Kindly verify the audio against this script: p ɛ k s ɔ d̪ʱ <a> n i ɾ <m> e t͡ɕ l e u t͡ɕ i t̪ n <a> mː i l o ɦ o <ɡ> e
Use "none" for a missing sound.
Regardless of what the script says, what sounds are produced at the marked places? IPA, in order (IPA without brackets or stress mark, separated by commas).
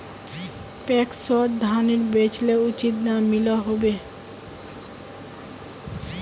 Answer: a, b, a, b